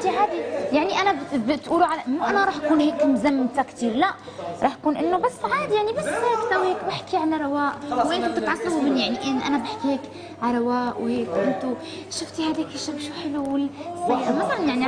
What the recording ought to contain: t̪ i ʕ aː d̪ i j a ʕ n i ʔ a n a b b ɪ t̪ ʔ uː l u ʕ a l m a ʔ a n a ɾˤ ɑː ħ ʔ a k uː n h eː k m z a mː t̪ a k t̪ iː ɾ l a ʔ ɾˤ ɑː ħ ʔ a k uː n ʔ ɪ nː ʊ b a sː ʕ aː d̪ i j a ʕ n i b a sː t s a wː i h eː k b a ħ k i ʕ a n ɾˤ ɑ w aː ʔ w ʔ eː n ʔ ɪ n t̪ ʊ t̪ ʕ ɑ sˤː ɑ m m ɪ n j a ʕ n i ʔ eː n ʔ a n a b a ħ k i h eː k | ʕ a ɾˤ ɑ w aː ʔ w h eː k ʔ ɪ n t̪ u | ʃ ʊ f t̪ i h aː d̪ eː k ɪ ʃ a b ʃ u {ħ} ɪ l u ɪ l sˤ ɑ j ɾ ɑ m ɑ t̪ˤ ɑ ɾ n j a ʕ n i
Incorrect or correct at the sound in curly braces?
correct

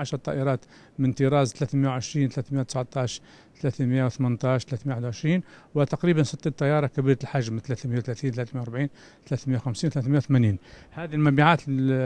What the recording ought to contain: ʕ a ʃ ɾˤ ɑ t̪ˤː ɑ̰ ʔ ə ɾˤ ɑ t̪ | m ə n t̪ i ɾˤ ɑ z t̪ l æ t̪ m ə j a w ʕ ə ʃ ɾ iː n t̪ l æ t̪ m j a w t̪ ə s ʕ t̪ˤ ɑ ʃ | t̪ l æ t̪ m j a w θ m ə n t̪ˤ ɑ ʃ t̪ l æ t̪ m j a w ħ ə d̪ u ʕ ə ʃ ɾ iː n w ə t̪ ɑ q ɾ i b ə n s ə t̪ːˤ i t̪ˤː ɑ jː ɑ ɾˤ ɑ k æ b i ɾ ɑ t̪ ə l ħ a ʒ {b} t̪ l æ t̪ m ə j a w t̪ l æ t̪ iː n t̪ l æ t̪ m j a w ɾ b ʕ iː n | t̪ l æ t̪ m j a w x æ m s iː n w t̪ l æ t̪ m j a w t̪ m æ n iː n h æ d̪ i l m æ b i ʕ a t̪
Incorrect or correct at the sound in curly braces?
incorrect: m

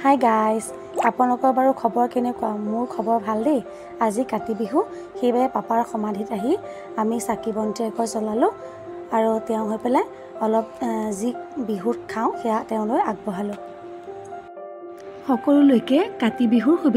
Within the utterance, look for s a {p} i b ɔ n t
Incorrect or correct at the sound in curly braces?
incorrect: k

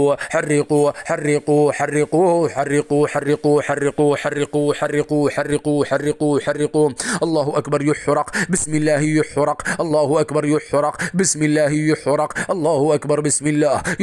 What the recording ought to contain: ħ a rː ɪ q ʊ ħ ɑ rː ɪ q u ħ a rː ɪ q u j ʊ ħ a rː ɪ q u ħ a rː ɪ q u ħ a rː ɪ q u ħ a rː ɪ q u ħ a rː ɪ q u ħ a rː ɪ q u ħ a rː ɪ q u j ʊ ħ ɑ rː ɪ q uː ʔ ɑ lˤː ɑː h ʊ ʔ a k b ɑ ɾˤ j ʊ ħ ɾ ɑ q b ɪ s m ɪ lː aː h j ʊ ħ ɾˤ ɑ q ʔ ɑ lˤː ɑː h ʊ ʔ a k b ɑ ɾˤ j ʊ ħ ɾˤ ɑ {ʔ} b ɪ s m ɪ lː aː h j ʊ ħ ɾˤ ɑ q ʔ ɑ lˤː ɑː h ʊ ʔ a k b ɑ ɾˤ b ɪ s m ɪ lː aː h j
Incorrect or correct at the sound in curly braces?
incorrect: q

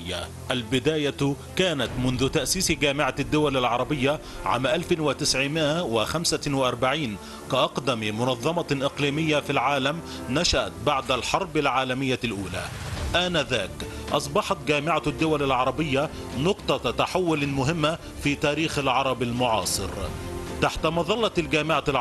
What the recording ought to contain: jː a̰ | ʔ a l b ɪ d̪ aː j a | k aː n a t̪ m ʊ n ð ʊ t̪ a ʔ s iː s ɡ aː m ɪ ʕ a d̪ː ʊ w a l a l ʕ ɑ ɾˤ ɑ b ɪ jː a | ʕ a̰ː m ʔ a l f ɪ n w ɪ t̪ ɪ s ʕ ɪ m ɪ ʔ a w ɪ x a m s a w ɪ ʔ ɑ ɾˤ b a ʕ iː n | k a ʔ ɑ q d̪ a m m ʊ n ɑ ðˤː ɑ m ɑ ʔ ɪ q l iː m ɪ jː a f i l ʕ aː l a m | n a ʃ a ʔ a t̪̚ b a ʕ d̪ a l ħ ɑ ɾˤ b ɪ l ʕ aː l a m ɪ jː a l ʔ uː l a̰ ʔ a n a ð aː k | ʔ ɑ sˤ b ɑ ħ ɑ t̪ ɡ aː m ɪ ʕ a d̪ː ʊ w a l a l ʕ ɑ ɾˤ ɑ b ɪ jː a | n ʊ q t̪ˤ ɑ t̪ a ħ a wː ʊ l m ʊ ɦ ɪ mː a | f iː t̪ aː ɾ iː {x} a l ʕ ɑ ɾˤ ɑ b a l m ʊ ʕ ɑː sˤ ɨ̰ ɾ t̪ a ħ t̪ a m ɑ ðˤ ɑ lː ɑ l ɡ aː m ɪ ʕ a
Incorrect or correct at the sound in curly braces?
correct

